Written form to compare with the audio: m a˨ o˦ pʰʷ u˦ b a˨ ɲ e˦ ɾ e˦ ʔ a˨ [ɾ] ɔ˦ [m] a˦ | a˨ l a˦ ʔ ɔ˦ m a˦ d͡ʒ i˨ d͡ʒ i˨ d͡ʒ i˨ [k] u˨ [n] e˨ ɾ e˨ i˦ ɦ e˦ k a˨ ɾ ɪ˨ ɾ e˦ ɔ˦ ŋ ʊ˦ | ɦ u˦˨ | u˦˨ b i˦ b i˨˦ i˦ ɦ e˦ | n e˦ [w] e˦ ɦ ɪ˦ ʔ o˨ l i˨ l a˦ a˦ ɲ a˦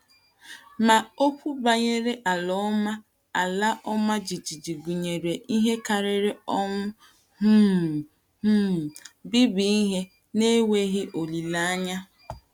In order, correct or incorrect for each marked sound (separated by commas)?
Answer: incorrect, correct, incorrect, incorrect, correct